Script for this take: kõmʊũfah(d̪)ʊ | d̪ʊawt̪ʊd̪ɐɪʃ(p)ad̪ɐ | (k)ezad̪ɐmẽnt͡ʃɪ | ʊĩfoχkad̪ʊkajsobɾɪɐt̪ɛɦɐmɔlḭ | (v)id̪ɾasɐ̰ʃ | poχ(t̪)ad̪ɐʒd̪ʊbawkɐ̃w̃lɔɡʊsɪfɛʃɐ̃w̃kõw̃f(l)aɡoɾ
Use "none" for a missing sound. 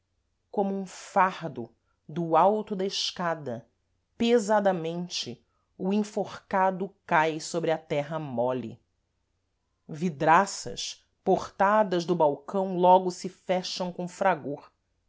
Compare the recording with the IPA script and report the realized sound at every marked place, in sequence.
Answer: d̪, k, p, v, t̪, ɾ

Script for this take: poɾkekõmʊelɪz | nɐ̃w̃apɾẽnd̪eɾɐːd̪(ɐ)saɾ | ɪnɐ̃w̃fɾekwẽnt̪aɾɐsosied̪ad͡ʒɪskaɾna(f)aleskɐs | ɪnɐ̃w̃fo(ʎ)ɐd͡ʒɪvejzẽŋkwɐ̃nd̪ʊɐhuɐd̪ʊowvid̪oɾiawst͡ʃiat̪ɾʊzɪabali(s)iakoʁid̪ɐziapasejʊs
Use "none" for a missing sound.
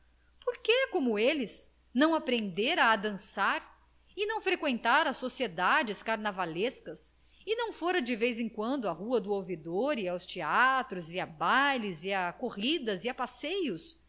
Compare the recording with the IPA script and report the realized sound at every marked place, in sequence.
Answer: ɐ̃, v, ɾ, z

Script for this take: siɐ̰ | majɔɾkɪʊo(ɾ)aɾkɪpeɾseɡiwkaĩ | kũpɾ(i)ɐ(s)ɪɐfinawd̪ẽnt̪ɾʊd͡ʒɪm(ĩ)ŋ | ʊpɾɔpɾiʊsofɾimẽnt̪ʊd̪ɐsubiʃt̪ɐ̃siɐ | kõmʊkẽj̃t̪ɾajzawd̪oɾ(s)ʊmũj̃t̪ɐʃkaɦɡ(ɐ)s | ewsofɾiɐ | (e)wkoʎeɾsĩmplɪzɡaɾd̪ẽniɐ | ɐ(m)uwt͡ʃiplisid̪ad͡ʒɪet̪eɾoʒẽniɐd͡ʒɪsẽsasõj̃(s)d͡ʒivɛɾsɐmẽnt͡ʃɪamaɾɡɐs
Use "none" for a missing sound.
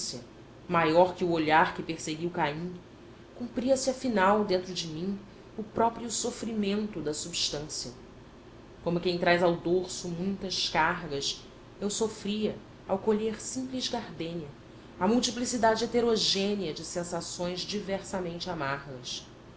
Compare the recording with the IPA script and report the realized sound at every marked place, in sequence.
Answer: ʎ, i, s, ĩ, s, ɐ, a, m, z

